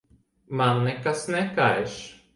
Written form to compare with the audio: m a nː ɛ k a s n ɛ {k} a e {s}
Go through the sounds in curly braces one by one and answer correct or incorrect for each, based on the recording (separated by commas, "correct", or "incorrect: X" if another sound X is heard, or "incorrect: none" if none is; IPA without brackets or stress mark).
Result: correct, incorrect: ʃ